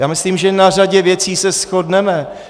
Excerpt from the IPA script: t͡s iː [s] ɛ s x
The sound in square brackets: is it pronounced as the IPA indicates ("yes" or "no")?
yes